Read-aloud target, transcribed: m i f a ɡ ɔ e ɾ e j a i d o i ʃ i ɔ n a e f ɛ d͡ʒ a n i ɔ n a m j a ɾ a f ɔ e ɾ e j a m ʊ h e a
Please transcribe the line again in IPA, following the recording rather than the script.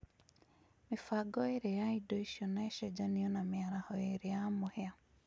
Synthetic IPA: m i f a ɡ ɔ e ɾ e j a i d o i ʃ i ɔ n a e ʃ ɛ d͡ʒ a n i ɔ n a m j a ɾ a h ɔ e ɾ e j a m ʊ h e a